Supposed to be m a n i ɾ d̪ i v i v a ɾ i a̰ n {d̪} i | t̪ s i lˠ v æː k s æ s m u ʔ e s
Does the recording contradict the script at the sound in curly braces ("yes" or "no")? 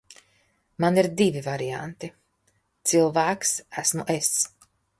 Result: yes